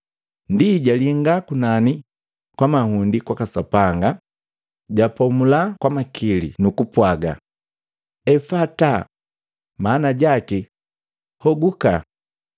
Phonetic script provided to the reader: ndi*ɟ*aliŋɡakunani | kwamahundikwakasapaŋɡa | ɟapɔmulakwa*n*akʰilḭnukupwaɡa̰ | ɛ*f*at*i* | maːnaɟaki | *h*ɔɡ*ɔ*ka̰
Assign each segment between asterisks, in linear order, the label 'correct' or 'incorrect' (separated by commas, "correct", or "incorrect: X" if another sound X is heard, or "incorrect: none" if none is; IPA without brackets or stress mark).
correct, incorrect: m, correct, incorrect: a, correct, incorrect: u